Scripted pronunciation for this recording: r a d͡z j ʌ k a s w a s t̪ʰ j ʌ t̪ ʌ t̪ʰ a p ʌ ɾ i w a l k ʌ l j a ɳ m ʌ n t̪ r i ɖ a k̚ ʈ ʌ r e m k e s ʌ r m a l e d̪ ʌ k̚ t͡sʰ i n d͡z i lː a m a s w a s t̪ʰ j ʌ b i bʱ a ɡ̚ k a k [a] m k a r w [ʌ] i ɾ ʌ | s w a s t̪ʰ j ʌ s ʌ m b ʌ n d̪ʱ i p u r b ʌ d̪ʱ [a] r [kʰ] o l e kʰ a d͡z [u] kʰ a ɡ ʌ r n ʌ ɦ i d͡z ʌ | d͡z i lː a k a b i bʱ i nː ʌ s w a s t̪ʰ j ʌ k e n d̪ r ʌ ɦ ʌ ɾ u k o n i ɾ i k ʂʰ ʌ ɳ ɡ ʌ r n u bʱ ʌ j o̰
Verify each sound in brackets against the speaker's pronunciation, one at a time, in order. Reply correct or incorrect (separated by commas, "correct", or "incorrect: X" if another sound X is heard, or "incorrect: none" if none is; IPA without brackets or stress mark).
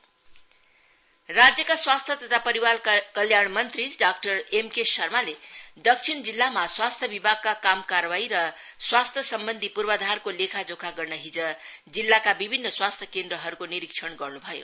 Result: correct, incorrect: a, correct, incorrect: k, incorrect: o